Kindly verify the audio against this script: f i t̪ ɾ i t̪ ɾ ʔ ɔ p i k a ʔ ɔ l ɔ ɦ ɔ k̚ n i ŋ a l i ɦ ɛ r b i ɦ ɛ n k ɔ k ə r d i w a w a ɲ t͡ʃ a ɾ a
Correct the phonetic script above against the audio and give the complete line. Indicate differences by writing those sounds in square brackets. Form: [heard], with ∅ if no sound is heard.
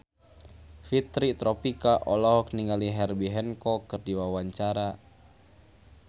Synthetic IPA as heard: f i t̪ ɾ i t̪ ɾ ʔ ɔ p i k a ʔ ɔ l ɔ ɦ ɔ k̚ n i ŋ a l i ɦ ɛ r b i ɦ ɛ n k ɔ k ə r d i w a w a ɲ t͡ʃ a ɾ a